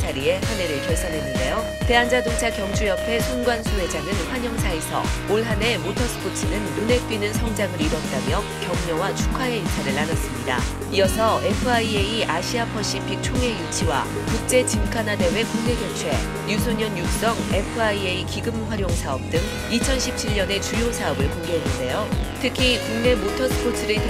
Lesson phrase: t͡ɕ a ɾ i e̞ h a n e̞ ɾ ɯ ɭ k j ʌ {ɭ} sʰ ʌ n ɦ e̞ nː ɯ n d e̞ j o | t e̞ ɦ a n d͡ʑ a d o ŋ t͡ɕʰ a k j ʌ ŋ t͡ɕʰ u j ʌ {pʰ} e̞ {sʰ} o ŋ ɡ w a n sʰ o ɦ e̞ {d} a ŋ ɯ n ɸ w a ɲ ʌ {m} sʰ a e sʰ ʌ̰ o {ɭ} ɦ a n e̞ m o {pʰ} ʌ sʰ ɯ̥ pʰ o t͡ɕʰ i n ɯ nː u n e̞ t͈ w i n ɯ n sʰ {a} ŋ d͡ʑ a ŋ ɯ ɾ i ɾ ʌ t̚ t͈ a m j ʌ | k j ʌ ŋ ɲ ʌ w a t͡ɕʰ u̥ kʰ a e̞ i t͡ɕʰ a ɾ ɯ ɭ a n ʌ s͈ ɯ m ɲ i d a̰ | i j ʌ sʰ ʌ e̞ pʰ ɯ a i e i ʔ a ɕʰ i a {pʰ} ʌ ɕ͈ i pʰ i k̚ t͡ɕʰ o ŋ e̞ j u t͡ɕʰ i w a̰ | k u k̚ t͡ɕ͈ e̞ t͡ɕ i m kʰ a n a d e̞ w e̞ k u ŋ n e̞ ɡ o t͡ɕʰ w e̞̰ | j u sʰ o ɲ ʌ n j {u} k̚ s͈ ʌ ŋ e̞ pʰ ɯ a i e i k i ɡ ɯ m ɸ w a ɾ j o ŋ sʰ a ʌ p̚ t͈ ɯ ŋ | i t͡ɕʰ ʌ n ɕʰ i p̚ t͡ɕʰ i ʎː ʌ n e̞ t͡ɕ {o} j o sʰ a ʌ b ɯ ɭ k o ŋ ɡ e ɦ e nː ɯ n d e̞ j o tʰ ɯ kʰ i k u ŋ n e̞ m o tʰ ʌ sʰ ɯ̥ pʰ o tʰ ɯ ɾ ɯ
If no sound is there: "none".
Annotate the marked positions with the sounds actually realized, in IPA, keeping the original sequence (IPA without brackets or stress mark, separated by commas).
ɭ, pʰ, sʰ, d͡ʑ, ŋ, ɭ, tʰ, ʌ, pʰ, u, u